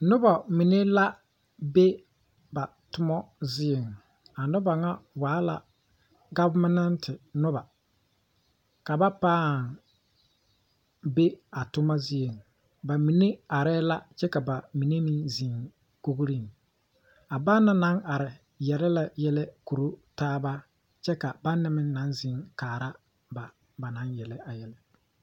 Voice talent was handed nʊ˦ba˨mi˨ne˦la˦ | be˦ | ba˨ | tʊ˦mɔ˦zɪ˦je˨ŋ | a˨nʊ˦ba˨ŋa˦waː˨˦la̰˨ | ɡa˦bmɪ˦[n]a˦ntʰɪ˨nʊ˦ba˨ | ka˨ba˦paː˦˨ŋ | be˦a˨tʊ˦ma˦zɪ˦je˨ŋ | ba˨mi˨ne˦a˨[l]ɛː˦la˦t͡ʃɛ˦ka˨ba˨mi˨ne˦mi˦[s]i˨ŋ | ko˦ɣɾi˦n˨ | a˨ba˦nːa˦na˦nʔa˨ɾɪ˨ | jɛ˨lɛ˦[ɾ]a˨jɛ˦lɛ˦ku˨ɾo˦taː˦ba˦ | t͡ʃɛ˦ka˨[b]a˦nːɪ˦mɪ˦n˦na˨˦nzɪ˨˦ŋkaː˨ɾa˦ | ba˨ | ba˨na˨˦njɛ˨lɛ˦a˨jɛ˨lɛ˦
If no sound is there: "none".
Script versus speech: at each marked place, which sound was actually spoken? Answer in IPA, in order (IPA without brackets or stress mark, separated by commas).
n, ɾ, z, l, b